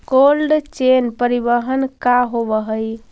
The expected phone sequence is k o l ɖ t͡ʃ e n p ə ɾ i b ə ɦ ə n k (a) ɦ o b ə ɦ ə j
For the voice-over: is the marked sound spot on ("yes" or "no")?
yes